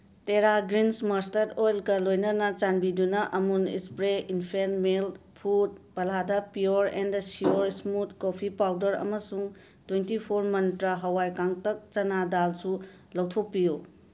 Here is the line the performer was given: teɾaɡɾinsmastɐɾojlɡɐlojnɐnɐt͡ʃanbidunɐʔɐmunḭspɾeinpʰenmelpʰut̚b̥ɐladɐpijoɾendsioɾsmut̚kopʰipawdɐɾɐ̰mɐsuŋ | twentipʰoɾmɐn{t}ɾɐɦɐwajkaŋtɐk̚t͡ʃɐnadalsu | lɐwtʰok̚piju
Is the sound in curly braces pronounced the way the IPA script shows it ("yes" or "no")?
yes